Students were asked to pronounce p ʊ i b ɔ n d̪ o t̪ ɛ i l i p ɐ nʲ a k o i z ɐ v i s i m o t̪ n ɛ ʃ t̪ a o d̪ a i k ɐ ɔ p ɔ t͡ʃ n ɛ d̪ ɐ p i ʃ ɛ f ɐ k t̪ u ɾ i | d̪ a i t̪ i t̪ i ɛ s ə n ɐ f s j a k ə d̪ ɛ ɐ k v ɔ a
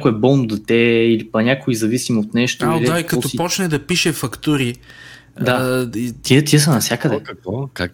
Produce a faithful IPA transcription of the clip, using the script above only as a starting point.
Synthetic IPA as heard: k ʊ ɛ b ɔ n d̪ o t̪ ɛ i l i p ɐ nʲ a k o i z ɐ v i s i m o t̪ n ɛ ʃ t̪ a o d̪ a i k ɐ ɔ p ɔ t͡ʃ n ɛ d̪ ɐ p i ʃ ɛ f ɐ k t̪ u ɾ i | d̪ a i t̪ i t̪ i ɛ s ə n ɐ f s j a k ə d̪ ɛ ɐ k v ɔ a